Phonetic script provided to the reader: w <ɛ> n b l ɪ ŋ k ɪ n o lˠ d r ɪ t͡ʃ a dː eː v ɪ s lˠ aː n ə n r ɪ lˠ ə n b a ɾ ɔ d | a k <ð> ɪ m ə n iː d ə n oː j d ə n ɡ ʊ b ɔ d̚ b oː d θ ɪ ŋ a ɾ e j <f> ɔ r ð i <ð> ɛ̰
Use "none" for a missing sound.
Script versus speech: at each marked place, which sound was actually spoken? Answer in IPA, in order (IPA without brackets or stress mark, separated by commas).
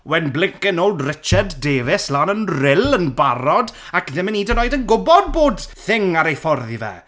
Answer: ɛ, ð, f, v